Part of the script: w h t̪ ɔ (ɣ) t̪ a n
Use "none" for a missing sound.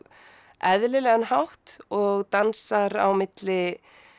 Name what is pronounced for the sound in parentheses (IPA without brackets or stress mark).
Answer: ɣ